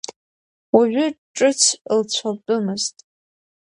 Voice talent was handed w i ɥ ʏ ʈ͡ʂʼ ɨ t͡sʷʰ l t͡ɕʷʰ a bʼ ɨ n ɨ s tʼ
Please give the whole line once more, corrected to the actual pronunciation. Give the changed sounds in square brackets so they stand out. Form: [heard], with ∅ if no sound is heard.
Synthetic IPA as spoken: w [a] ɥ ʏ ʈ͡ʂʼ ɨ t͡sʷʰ l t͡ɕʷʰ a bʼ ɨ [m] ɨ [z] tʼ

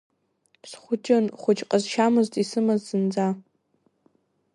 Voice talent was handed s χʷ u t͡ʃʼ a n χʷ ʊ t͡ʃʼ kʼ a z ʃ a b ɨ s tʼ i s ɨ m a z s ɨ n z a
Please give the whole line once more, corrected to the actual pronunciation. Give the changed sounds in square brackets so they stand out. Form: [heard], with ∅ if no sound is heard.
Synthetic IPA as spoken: s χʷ [ʊ] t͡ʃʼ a n χʷ ʊ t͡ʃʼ [qʼ] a z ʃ a [m] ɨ [z] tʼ i s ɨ m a z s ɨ n [d͡z] a

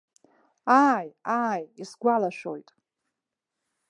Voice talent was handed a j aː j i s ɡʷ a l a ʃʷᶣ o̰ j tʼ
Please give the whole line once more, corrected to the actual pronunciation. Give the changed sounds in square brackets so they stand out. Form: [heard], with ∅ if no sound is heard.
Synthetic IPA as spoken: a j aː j i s ɡʷ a l a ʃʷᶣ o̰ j tʼ

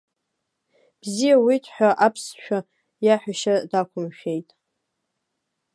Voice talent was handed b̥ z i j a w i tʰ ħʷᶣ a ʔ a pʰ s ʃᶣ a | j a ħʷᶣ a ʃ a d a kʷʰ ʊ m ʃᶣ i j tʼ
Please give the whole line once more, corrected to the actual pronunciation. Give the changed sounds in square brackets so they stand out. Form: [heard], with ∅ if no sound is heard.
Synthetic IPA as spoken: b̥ z i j a w i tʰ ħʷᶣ a ʔ a pʰ s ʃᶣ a | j a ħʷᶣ a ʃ a d a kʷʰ ʊ m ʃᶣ [e] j tʼ

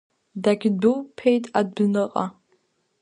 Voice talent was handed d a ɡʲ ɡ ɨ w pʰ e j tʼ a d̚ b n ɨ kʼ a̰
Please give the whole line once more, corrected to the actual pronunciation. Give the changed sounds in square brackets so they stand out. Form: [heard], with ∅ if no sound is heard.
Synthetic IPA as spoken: d a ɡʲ [b] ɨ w pʰ e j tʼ a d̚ b n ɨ [qʼ] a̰

